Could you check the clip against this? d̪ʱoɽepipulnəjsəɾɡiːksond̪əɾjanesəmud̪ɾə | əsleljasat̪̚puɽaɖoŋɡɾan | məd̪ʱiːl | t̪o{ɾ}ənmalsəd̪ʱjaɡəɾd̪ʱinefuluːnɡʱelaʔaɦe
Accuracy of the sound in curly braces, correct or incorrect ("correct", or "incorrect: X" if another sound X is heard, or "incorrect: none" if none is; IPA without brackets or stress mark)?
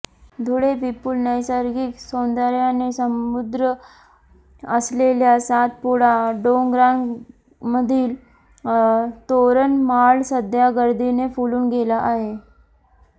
correct